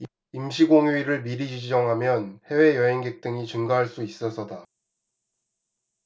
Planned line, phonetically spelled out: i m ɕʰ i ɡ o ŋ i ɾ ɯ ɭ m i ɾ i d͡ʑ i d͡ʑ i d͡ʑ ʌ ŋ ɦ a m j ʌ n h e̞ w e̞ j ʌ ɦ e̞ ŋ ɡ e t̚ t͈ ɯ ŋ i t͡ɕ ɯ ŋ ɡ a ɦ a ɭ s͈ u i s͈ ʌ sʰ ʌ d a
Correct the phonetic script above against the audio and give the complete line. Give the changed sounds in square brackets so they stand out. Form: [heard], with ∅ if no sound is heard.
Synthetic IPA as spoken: i m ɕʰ i ɡ o ŋ i ɾ ɯ ɭ m i ɾ i d͡ʑ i d͡ʑ i d͡ʑ ʌ ŋ ɦ a m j ʌ n h e̞ w e̞ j ʌ ɦ e̞ ŋ ɡ e [k̚] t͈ ɯ ŋ i t͡ɕ ɯ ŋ ɡ a ɦ a ɭ s͈ u i s͈ ʌ sʰ ʌ d a